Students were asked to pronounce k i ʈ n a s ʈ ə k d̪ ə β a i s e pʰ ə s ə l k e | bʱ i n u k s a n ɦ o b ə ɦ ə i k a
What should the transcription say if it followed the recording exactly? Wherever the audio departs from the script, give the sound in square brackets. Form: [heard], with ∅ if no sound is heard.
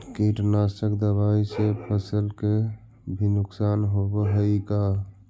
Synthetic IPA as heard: k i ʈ n a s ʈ ə k d̪ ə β a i s e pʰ ə s ə l k e | bʱ i n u k s a n ɦ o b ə ɦ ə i k a